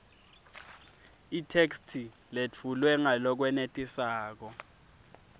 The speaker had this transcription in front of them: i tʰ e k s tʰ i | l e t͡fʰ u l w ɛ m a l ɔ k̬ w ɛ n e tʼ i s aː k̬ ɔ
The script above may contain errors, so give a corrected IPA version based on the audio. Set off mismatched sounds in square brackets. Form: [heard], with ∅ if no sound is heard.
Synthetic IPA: i tʰ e k s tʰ i | l e t͡fʰ u l w ɛ [ŋ] a l ɔ k̬ w ɛ n e tʼ i s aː k̬ ɔ